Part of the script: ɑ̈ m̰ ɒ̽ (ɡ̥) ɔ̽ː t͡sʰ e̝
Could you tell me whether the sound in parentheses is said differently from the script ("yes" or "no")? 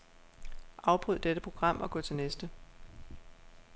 no